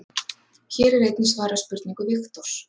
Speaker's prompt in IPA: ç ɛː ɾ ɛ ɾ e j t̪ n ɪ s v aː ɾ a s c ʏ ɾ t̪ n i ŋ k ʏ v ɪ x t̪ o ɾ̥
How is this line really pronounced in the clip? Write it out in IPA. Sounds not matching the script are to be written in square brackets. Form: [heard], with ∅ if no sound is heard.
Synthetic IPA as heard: ç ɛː ɾ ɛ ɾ e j t̪ n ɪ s v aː ɾ a s [p] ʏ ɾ t̪ n i ŋ k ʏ v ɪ x t̪ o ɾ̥